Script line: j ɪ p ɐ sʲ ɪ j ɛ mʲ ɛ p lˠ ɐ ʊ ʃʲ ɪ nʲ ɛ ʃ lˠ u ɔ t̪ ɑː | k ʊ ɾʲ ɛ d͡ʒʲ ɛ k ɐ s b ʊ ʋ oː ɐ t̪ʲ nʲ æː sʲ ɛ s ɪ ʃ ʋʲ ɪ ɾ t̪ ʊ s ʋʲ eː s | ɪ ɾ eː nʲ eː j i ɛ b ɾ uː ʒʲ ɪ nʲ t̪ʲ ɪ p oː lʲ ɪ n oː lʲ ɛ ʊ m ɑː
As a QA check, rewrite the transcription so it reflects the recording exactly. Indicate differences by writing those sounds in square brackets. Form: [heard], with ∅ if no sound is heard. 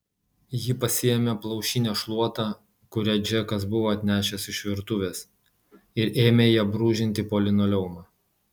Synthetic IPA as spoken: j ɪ p ɐ sʲ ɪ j ɛ mʲ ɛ p lˠ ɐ ʊ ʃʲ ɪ nʲ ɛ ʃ lˠ u ɔ t̪ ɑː | k ʊ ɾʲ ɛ d͡ʒʲ ɛ k ɐ s b ʊ ʋ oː ɐ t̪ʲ nʲ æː [ʃʲ] ɛ s ɪ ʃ ʋʲ ɪ ɾ t̪ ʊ [∅] ʋʲ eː s | ɪ ɾ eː [mʲ] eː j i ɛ b ɾ uː ʒʲ ɪ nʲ t̪ʲ ɪ p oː lʲ ɪ n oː lʲ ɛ ʊ m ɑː